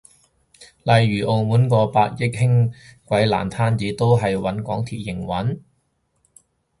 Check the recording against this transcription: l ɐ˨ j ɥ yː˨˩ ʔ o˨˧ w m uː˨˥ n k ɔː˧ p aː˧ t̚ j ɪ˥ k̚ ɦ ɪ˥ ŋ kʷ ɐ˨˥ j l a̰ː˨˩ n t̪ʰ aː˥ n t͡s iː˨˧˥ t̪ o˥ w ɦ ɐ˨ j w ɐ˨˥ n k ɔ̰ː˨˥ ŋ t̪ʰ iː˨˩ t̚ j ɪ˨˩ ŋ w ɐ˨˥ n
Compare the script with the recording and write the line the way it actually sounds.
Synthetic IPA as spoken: l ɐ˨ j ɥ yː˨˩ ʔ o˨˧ w m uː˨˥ n k ɔː˧ p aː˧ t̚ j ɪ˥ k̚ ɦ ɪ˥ ŋ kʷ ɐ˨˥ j l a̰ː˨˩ n t̪ʰ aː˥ n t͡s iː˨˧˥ t̪ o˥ w ɦ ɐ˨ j w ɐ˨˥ n k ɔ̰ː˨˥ ŋ t̪ʰ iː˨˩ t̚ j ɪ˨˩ ŋ w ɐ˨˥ n